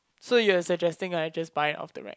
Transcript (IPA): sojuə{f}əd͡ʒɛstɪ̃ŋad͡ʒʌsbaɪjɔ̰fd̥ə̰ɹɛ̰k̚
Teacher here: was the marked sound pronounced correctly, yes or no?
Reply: no